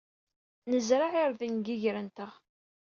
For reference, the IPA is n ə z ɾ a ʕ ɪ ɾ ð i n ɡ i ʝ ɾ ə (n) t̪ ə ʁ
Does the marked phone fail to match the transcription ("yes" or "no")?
no